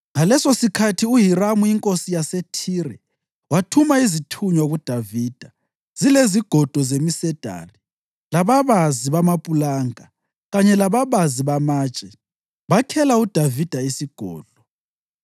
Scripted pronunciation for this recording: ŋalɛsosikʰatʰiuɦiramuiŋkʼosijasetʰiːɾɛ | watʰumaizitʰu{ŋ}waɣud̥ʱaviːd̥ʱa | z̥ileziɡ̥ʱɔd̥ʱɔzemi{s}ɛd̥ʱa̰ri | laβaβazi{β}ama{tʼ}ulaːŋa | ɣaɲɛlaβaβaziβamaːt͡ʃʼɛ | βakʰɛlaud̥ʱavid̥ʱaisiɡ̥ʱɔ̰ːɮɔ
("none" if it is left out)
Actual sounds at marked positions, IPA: ɲ, s, β, pʼ

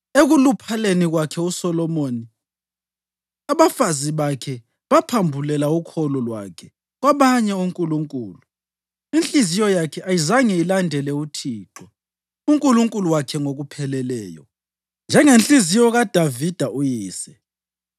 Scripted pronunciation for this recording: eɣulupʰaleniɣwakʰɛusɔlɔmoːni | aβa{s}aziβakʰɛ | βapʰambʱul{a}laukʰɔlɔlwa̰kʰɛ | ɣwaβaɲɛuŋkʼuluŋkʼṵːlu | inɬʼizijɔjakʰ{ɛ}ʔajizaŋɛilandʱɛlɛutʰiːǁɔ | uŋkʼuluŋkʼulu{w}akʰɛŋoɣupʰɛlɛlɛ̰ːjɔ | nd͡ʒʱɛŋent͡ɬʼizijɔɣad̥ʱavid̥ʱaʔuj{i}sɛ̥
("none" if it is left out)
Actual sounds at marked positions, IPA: f, ɛ, ɛ, w, iː

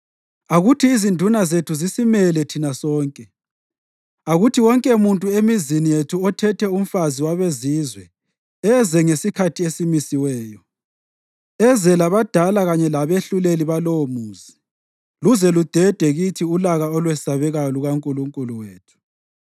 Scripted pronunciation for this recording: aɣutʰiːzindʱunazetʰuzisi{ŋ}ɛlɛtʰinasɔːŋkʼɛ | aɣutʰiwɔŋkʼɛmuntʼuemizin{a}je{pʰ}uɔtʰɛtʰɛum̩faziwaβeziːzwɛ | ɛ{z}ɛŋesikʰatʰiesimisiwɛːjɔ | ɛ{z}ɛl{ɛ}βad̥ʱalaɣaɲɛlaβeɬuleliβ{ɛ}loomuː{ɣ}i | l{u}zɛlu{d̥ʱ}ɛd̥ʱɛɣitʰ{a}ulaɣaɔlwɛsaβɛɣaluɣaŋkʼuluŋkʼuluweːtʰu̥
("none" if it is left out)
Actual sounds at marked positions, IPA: m, i, tʰ, z, z, a, a, z, u, d̥ʱ, i

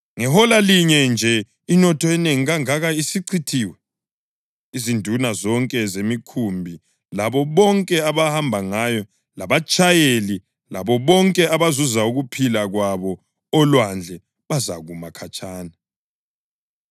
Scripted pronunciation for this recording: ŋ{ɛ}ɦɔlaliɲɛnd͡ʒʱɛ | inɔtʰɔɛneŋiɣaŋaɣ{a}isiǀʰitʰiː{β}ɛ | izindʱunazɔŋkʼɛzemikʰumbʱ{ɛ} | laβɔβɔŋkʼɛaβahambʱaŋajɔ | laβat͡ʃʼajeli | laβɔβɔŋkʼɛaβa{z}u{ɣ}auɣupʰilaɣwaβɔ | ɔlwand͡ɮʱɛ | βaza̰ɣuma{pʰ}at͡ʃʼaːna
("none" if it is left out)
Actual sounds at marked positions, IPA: ɛ, a, w, i, z, z, kʰ

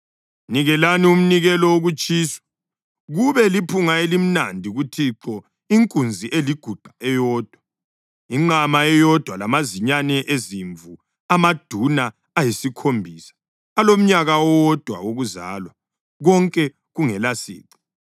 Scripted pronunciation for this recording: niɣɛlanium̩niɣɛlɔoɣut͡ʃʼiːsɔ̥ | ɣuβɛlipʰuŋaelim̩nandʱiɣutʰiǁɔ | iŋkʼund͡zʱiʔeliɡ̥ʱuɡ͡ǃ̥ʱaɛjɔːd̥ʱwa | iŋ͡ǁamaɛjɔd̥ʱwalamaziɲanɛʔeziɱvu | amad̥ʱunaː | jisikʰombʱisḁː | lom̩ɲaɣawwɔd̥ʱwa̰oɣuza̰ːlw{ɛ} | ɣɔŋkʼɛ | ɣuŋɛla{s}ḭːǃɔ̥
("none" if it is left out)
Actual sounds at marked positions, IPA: a, s

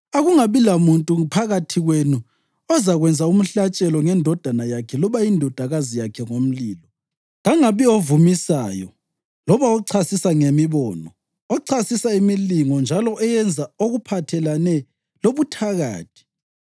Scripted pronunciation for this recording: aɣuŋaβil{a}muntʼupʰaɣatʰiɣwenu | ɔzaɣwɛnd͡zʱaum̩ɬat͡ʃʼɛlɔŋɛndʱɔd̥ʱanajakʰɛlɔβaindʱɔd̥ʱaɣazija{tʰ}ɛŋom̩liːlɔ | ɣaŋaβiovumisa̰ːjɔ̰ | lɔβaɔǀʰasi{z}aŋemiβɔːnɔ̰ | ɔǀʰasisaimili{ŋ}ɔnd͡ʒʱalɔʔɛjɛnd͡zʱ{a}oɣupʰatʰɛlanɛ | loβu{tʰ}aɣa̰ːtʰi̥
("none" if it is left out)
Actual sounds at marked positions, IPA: a, kʰ, s, ŋ, a, tʰ

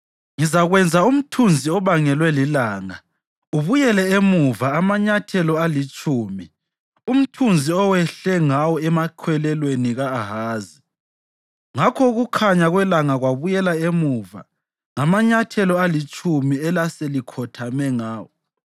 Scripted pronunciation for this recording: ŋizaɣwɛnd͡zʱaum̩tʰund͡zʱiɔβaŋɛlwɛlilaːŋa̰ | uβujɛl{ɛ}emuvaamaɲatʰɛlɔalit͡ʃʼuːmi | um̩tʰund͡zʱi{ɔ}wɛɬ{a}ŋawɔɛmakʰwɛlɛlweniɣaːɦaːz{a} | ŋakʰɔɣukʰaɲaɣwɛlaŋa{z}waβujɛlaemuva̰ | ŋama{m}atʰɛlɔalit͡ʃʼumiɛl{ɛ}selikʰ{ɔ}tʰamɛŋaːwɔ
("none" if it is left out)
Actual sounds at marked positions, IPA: ɛ, ɔ, ɛ, i, ɣ, ɲ, a, ɔ

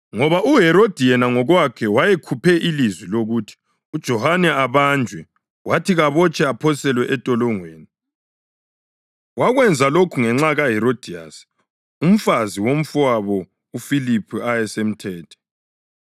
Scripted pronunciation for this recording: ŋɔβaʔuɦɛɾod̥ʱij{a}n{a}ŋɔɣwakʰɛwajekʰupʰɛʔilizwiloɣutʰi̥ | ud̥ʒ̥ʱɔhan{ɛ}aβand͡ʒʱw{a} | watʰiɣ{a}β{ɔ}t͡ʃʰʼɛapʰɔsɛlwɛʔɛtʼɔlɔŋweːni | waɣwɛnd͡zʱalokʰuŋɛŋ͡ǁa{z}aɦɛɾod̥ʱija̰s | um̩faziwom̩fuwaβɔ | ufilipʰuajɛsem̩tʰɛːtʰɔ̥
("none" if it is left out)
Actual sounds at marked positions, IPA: ɛ, a, ɛ, ɛ, a, ɔ, ɣ

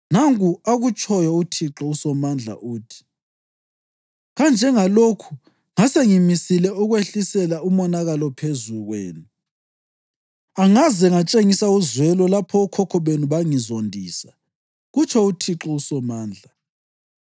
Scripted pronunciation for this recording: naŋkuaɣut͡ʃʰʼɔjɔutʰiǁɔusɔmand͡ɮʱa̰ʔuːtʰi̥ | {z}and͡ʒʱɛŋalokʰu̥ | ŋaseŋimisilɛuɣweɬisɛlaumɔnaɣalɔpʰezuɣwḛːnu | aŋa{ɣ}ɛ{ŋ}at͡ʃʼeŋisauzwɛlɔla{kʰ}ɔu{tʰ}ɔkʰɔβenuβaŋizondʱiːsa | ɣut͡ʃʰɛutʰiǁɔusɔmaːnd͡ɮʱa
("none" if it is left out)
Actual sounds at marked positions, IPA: ɣ, z, ŋ, pʰ, kʰ

